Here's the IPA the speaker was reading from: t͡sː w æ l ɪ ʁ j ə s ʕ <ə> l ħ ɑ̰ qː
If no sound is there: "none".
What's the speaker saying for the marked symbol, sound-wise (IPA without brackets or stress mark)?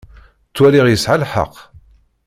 a